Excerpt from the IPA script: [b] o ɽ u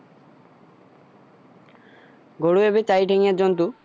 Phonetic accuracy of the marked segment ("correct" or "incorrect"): incorrect